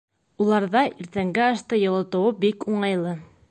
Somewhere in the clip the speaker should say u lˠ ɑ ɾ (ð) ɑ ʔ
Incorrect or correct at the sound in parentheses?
correct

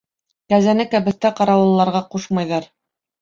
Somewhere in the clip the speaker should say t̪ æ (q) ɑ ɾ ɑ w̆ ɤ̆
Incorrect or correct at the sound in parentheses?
correct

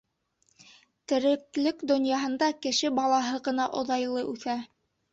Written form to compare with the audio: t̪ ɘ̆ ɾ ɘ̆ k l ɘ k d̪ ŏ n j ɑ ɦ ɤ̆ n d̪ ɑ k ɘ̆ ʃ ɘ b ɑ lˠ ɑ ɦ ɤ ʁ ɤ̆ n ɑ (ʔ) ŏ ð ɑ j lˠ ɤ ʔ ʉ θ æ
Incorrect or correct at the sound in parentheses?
correct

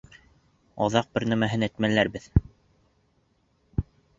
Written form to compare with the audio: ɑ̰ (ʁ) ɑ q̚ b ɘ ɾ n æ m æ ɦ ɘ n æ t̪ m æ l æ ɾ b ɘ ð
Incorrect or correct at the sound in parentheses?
incorrect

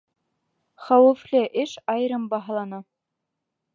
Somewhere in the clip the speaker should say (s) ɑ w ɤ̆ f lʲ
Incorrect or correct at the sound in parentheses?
incorrect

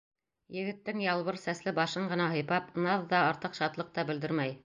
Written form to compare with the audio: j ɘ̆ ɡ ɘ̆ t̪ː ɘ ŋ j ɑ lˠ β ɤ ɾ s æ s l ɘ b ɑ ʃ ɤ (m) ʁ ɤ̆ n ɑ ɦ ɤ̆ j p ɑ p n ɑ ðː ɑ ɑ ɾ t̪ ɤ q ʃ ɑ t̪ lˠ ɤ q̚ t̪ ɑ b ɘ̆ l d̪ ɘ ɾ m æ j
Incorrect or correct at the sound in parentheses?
incorrect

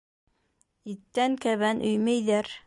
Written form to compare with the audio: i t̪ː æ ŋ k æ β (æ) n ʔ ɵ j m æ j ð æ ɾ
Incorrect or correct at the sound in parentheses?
correct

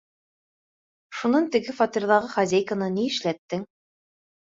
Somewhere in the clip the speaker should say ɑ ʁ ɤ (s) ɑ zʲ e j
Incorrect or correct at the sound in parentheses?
incorrect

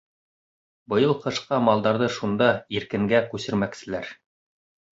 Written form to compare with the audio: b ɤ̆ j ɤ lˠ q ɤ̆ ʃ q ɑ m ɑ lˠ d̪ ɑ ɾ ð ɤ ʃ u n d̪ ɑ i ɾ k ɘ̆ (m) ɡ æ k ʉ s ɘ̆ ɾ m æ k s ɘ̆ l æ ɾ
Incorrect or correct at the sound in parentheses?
incorrect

